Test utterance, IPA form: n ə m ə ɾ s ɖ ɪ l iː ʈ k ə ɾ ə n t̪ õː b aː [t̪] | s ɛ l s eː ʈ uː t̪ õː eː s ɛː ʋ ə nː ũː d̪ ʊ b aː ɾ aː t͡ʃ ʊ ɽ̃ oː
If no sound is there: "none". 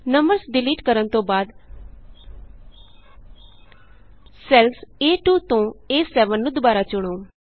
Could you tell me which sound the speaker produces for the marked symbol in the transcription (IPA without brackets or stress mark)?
d̪